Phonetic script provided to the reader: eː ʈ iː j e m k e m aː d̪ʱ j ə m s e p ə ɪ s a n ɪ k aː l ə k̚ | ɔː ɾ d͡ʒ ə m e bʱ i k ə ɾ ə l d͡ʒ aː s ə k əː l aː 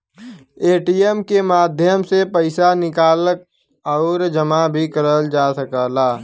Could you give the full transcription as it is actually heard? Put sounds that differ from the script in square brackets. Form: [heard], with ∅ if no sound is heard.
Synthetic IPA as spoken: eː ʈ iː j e m k e m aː d̪ʱ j ə m s e p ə ɪ s a n ɪ k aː l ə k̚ | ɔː ɾ d͡ʒ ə m [a] bʱ i k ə ɾ ə l d͡ʒ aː s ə k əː l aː

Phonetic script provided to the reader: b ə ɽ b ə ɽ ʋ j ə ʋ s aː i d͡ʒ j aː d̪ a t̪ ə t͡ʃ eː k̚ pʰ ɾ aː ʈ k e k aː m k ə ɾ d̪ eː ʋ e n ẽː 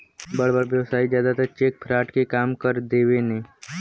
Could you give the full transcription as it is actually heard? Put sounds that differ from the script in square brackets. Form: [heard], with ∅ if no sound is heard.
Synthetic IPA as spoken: b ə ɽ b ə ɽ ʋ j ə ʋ s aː i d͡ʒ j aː d̪ a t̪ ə t͡ʃ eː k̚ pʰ ɾ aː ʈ k e k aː m k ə ɾ d̪ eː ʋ e n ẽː

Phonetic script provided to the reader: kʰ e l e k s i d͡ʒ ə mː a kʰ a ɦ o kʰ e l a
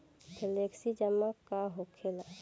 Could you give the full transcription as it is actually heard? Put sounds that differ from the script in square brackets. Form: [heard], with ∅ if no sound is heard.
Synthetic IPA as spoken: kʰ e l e k s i d͡ʒ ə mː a [k] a ɦ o kʰ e l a

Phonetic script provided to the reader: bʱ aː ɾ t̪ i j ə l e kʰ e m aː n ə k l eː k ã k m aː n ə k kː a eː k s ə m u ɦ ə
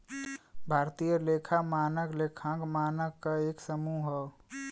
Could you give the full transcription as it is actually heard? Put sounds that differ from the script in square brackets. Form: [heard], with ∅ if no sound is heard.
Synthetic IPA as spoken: bʱ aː ɾ t̪ i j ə l e kʰ [a] m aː n ə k l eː [kʰ] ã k m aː n ə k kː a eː k s ə m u ɦ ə

